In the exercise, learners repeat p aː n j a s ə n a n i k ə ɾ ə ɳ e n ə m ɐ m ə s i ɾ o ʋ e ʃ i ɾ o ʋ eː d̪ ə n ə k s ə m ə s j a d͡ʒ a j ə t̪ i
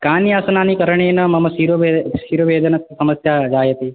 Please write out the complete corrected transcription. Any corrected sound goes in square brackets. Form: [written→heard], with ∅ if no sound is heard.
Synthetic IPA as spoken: [p→k] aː n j a s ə n a n i k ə ɾ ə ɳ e n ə m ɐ m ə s i ɾ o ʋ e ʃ i ɾ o ʋ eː d̪ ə n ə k s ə m ə s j a d͡ʒ a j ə t̪ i